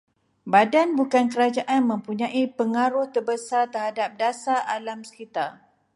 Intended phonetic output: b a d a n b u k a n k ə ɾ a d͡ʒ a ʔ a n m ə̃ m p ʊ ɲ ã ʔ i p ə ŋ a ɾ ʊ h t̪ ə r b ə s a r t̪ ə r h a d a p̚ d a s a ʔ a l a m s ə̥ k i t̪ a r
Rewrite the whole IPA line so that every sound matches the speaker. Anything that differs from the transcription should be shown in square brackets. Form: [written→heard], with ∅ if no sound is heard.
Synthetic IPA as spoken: b a d a n b u k a n k ə ɾ a d͡ʒ a ʔ a n m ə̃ m p [ʊ→u] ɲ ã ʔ i p ə ŋ a ɾ ʊ h t̪ ə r b ə s a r t̪ ə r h a d a p̚ d a s a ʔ a l a m s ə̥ k i t̪ a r

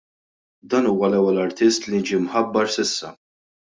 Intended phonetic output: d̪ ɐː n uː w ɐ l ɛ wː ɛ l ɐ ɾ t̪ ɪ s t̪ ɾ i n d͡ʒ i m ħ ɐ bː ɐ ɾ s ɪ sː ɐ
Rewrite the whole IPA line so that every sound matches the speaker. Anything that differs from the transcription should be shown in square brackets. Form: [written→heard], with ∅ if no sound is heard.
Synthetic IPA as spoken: d̪ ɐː n uː w ɐ l ɛ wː ɛ l ɐ ɾ t̪ ɪ s t̪ [ɾ→l] i n d͡ʒ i m ħ ɐ bː ɐ ɾ s ɪ sː ɐ

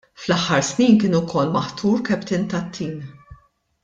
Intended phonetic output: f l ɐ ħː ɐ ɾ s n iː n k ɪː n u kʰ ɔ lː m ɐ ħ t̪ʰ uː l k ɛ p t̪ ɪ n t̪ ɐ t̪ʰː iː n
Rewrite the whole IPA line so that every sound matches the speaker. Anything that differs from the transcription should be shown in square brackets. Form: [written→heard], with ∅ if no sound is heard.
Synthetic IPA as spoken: f l ɐ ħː ɐ ɾ s n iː n k ɪː n u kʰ ɔ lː m ɐ ħ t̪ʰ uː [l→ɾ] k ɛ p t̪ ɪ n t̪ ɐ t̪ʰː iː n

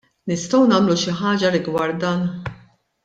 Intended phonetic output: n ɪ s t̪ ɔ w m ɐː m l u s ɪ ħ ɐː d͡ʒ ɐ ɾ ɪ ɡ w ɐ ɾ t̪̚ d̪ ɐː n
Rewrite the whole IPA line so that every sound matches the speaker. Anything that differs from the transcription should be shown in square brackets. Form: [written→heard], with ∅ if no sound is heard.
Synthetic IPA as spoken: n ɪ s t̪ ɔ w [m→n] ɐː m l u [s→ʃ] ɪ ħ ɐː d͡ʒ ɐ ɾ ɪ ɡ w ɐ ɾ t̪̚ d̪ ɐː n

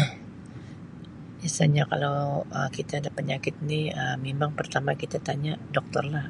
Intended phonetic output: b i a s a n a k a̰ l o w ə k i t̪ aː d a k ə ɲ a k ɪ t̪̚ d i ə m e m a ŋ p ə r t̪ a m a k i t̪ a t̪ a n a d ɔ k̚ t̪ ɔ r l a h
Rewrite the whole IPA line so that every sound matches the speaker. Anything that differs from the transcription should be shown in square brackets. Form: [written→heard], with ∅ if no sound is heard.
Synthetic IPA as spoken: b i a s a [n→ɲ] a k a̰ l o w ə k i t̪ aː d a [k→p] ə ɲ a k ɪ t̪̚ [d→n] i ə m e m a ŋ p ə r t̪ a m a k i t̪ a t̪ a [n→ɲ] a d ɔ k̚ t̪ ɔ r l a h

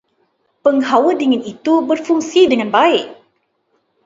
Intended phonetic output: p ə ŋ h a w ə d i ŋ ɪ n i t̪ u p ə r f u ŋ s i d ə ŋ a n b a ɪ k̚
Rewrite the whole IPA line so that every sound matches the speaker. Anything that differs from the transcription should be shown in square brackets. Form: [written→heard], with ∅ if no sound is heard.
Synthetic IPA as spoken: p ə ŋ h a w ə d i ŋ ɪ n i t̪ u [p→b] ə r f u ŋ s i d ə ŋ a n b a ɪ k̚

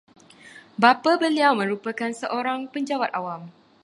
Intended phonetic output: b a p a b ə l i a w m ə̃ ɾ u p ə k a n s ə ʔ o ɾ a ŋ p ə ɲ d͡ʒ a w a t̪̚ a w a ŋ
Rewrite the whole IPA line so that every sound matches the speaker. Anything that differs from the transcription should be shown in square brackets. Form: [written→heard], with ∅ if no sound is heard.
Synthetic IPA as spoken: b a p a b ə l i a w m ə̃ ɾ u p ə k a n s ə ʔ o ɾ a ŋ p ə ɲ d͡ʒ a w a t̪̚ a w a [ŋ→m]

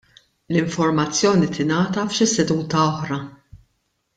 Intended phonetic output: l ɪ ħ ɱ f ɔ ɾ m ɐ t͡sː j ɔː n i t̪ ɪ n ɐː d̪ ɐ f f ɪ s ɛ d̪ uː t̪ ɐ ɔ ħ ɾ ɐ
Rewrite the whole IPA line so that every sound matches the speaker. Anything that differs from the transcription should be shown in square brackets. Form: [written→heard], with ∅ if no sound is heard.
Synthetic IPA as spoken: l ɪ [ħ→∅] ɱ f ɔ ɾ m ɐ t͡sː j ɔː n i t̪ ɪ n ɐː [d̪→t̪] ɐ f [f→ʃ] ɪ s ɛ d̪ uː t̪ ɐ ɔ ħ ɾ ɐ

